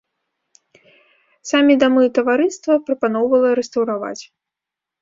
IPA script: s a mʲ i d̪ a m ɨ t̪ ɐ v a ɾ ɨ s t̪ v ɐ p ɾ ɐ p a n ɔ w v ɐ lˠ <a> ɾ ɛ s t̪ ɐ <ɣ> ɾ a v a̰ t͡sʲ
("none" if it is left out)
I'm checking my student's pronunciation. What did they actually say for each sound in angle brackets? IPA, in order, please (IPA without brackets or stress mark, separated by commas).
ɐ, w